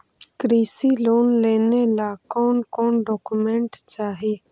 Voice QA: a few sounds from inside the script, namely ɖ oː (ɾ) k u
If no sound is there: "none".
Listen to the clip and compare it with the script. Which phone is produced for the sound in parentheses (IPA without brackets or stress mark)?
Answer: none